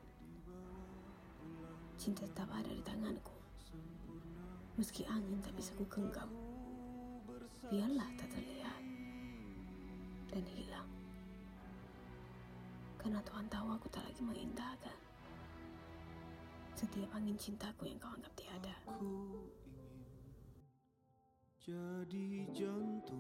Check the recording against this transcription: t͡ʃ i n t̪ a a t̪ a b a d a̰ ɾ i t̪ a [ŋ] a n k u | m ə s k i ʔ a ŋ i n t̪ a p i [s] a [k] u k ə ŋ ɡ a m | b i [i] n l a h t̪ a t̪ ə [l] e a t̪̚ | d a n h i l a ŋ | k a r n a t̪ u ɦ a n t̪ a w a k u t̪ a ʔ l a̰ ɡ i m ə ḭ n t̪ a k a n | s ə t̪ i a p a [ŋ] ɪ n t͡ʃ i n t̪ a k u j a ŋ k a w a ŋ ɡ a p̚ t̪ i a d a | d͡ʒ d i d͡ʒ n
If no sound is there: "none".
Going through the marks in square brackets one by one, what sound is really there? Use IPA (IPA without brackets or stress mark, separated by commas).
ŋ, s, k, a, l, ŋ